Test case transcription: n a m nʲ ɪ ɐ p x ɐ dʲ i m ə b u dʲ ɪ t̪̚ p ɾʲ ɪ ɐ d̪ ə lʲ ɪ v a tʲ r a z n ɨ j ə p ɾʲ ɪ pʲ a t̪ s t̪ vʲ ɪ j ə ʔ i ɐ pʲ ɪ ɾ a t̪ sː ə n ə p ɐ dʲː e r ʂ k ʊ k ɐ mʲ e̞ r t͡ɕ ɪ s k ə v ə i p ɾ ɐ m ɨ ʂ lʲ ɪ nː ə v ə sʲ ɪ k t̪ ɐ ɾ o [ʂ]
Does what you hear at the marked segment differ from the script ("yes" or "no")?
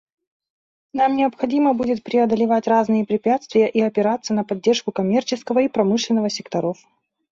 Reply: yes